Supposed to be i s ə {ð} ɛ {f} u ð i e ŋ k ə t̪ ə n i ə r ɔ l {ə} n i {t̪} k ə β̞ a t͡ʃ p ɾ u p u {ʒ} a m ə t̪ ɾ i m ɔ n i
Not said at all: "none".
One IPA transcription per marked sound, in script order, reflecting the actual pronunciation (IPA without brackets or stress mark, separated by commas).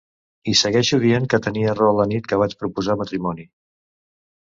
ɣ, ʃ, ə, t̪, z